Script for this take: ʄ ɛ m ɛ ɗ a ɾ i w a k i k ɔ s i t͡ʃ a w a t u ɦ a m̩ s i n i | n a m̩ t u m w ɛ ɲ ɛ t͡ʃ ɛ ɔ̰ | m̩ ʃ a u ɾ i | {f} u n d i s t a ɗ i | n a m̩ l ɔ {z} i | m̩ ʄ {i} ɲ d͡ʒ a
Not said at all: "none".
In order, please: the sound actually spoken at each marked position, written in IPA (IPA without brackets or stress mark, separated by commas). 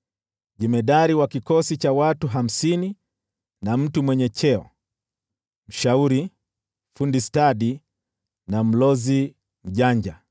f, z, a